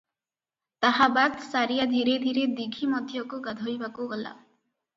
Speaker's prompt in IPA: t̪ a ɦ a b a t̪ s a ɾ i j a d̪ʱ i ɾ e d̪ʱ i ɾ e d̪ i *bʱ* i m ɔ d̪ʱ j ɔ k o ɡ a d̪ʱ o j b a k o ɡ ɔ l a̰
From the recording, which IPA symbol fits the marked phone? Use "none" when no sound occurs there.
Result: ɡʱ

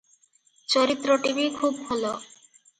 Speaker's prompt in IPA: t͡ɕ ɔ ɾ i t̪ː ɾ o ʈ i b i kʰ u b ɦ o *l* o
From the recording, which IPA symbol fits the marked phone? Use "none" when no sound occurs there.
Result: l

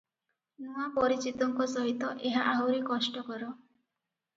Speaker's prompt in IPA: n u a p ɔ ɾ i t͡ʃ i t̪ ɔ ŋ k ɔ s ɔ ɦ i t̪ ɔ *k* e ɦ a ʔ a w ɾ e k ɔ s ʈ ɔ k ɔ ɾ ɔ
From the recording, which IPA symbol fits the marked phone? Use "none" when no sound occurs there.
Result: ʔ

